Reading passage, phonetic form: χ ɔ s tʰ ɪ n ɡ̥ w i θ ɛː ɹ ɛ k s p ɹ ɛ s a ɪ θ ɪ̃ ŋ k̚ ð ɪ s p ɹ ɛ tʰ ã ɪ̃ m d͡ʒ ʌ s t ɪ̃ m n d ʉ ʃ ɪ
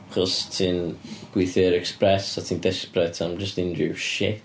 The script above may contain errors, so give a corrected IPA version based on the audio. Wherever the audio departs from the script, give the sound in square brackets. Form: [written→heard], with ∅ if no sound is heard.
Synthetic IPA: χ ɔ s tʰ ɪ n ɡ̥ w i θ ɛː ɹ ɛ k s p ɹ ɛ s a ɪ θ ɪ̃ ŋ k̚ ð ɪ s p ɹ ɛ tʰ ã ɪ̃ m d͡ʒ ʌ s t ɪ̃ [m→∅] n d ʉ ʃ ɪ

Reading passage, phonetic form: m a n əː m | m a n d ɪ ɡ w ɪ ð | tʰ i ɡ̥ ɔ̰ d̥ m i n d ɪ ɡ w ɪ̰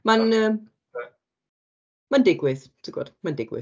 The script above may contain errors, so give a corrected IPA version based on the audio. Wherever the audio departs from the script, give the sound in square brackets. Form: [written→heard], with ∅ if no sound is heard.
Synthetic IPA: m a n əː m | m a n d ɪ ɡ w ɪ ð | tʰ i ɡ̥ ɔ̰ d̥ m [i→a] n d ɪ ɡ w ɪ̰

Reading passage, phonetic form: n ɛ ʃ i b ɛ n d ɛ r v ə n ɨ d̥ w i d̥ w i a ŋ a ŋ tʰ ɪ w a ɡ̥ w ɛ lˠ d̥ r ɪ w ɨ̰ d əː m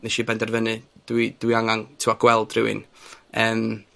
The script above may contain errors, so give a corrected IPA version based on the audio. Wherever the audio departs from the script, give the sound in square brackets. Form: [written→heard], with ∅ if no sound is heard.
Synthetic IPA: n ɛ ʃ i b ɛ n d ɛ r v ə n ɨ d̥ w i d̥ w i a ŋ a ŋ tʰ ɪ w a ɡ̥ w ɛ lˠ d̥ r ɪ w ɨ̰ [d→n] əː m

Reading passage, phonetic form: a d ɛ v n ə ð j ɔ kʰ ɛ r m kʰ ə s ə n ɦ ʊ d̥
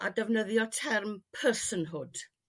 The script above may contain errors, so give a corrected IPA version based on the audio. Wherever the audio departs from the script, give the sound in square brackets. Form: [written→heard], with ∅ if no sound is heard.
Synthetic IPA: a d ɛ v n ə ð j ɔ [kʰ→tʰ] ɛ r m [kʰ→pʰ] ə s ə n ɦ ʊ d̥

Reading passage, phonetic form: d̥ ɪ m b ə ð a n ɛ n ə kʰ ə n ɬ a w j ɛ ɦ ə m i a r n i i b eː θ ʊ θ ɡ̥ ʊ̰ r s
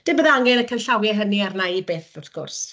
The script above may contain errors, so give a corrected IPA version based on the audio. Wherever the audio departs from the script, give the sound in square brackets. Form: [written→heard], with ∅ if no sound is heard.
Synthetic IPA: d̥ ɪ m b ə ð a [n→ŋ] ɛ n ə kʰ ə n ɬ a w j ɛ ɦ ə [m→n] i a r n [i→a] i b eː θ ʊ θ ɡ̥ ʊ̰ r s

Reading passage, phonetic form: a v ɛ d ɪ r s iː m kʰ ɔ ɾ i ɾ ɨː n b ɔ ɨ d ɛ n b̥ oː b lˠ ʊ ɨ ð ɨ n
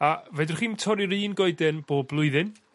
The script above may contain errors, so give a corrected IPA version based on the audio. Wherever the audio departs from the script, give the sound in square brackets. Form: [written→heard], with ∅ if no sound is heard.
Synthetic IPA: a v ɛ d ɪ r [s→χ] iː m [kʰ→tʰ] ɔ ɾ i ɾ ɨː n [b→ɡ] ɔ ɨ d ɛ n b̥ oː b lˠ ʊ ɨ ð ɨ n

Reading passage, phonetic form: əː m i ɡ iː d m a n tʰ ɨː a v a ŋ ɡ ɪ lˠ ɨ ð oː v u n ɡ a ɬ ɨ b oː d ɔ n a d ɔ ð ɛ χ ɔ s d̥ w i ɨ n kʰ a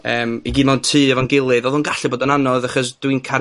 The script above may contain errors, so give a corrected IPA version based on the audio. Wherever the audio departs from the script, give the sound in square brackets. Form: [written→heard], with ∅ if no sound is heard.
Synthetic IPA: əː m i ɡ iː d m a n tʰ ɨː [a→ɛ] v a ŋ ɡ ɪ lˠ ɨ ð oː [v→ð] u n ɡ a ɬ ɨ b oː d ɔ n a [d→n] ɔ ð [ɛ→a] χ ɔ s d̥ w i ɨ n kʰ a

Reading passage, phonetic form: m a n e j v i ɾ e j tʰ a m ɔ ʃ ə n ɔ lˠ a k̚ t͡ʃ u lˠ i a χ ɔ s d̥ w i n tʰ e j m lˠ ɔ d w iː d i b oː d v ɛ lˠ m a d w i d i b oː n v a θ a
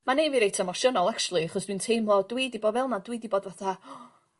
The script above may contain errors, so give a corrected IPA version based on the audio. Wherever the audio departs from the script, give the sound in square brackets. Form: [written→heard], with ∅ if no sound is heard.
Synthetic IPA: m a n e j v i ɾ e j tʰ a m ɔ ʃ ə n ɔ lˠ a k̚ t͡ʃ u lˠ i a χ ɔ s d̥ w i n tʰ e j m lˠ ɔ d w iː d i b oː d v ɛ lˠ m a d w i d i b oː [n→d] v a θ a

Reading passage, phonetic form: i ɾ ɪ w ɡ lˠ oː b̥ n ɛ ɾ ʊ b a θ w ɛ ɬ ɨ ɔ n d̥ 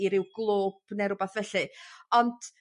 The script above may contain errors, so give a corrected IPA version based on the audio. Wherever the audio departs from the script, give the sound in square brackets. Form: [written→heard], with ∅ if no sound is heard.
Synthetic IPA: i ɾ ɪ w ɡ lˠ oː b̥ n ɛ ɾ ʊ b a θ [w→v] ɛ ɬ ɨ ɔ n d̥

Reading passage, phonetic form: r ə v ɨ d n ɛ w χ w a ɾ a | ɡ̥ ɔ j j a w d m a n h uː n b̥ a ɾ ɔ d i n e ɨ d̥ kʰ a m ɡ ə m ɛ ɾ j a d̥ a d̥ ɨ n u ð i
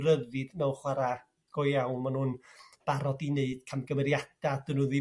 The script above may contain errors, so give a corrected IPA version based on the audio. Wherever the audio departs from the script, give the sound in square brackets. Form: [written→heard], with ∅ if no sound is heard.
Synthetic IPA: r ə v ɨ d n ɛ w χ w a ɾ a | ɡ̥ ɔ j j a w [d→n] m a n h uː n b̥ a ɾ ɔ d i n e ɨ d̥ kʰ a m ɡ ə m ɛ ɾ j a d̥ a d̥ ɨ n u ð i

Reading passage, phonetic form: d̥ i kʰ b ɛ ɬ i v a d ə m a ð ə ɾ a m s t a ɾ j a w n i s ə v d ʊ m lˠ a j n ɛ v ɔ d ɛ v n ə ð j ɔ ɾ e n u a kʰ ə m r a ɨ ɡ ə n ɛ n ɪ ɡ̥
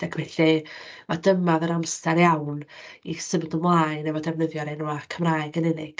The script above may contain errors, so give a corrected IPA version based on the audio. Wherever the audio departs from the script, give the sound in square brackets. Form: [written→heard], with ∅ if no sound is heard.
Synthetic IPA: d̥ [i→a] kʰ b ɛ ɬ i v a d ə m a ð ə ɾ a m s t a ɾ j a w n i s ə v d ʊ m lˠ a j n ɛ v ɔ d ɛ v n ə ð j ɔ ɾ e n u a kʰ ə m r a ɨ ɡ ə n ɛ n ɪ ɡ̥

